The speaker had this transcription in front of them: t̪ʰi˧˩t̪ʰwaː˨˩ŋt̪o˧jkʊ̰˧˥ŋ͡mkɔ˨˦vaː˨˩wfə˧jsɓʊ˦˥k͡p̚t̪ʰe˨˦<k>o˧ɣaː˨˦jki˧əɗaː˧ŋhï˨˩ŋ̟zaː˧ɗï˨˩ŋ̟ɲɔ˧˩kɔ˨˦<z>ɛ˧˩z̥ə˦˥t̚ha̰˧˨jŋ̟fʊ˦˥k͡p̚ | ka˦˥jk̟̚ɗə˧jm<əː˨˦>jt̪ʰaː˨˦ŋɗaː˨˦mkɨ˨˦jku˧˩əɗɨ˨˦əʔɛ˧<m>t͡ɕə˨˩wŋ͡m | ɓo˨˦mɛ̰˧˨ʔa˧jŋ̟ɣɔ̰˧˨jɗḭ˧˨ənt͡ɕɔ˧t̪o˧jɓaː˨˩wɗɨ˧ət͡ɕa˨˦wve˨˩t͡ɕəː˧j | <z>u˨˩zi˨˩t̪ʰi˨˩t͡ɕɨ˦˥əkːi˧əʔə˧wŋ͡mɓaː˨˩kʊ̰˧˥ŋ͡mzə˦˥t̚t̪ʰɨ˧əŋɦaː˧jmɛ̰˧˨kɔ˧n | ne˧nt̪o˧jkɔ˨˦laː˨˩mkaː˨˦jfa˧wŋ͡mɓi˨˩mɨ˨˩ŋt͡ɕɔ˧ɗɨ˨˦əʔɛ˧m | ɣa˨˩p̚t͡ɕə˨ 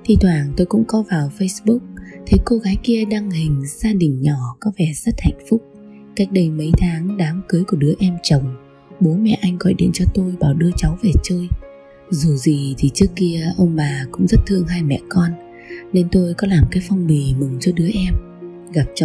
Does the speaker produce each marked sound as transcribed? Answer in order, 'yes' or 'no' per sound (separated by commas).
yes, no, no, yes, yes